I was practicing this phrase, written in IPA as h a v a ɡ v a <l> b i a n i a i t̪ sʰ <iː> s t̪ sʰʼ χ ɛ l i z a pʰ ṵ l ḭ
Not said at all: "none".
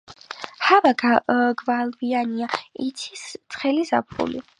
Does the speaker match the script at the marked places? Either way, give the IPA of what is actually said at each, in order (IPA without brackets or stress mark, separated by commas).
l, i